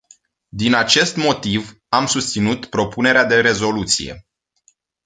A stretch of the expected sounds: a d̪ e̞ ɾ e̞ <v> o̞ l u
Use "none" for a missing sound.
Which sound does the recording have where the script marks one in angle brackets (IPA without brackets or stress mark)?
z